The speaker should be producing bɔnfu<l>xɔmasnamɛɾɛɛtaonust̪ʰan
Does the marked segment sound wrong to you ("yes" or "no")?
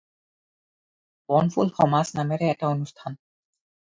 no